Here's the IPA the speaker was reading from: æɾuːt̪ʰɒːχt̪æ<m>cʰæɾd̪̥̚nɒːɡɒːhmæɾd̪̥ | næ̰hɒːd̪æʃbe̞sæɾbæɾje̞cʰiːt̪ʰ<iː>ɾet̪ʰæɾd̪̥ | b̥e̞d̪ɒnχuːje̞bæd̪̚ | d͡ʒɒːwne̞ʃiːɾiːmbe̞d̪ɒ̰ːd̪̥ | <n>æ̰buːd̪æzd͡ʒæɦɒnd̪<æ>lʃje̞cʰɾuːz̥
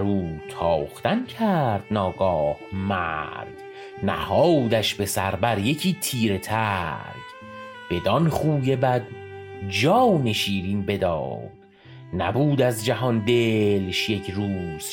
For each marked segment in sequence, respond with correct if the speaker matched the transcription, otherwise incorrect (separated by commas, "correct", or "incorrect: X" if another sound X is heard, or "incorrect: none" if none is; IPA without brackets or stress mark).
incorrect: n, correct, correct, incorrect: e